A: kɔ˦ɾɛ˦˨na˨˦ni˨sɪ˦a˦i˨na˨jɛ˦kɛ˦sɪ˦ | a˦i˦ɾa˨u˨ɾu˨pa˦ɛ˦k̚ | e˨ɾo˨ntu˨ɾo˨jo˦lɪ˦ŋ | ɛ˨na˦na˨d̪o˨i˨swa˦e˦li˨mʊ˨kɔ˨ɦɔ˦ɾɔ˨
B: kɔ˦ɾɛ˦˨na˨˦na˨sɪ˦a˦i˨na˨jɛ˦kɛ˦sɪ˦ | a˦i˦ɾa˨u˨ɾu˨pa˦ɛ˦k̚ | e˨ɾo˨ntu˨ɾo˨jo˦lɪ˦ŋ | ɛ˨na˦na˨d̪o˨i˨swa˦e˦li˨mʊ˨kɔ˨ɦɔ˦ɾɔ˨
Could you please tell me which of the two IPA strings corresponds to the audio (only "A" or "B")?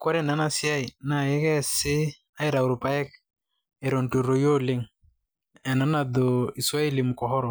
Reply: B